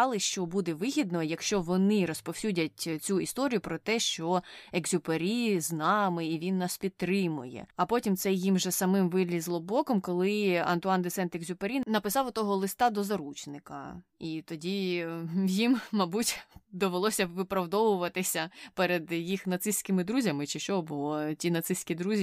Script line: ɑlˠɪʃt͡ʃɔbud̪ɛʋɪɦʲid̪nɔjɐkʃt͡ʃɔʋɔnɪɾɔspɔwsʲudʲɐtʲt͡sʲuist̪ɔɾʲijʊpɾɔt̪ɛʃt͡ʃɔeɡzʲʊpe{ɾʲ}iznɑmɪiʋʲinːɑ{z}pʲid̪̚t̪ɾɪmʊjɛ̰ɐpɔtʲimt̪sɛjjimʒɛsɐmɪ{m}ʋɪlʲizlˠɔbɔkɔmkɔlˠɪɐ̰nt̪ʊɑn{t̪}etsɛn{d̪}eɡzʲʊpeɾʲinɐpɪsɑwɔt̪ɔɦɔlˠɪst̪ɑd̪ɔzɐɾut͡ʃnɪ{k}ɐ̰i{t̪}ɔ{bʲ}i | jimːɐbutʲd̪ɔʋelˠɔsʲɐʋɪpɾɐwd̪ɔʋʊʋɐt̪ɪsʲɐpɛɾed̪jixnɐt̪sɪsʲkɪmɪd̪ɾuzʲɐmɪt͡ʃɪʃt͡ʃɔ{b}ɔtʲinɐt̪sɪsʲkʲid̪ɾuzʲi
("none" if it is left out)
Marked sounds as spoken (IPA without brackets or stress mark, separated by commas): ɾʲ, s, m, d̪, t̪, k, t̪, dʲ, b